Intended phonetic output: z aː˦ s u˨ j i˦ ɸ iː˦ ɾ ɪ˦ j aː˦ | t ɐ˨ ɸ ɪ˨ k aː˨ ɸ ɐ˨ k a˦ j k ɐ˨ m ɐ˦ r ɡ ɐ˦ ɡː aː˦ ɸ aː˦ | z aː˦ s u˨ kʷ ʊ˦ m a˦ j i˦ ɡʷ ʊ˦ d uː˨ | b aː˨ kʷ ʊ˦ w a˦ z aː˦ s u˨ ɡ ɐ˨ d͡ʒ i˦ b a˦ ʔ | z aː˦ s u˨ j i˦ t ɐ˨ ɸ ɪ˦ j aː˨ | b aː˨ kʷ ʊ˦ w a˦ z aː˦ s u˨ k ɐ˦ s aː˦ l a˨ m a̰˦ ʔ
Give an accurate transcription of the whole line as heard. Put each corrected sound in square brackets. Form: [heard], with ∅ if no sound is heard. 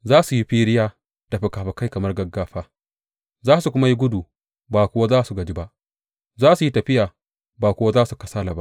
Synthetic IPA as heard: z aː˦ s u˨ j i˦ ɸ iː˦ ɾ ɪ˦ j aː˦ | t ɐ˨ ɸ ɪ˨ k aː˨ ɸ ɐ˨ k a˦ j k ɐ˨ m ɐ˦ r ɡ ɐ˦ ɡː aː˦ ɸ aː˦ | z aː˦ s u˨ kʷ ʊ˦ m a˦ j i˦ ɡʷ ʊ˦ d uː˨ | b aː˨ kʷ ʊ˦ w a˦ z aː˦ s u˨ ɡ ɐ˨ d͡ʒ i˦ b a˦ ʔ | z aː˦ s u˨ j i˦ t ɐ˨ ɸ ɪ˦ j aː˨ | b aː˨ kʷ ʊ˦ w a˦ z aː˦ s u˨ k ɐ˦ s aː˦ l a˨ [b] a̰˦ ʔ